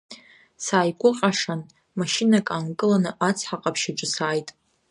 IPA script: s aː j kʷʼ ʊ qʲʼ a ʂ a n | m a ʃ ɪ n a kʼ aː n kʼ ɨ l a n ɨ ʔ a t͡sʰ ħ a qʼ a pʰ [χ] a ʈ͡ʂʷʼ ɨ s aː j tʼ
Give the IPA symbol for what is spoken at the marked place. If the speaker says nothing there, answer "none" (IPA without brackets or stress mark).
ʃ